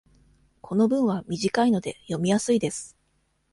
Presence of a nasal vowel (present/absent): present